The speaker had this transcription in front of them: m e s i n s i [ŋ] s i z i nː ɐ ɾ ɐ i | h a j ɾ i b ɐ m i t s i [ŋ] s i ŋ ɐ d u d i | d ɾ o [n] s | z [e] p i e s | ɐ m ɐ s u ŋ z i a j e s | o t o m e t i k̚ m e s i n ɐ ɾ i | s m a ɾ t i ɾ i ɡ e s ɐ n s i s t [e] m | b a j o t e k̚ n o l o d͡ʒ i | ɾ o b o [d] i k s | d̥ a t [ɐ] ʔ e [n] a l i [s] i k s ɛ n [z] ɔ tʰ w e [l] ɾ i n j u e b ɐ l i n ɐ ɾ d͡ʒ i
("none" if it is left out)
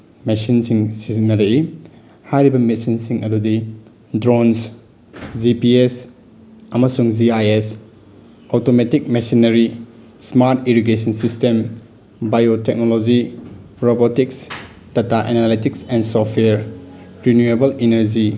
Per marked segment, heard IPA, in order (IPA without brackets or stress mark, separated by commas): ŋ, n, n, i, e, t, a, n, t, s, ɾ